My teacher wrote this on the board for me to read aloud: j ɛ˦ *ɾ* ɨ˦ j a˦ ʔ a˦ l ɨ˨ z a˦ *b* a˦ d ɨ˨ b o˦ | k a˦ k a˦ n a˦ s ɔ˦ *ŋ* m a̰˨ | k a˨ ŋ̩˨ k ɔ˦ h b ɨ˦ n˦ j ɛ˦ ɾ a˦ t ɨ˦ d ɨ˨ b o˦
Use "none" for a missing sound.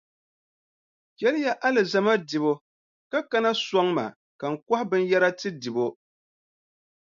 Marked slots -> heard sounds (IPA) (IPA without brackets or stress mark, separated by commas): l, m, ŋ